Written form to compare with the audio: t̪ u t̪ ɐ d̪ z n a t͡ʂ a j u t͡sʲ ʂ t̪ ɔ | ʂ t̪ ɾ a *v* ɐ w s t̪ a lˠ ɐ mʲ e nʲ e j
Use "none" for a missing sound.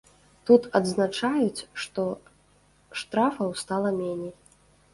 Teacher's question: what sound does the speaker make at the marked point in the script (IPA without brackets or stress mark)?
f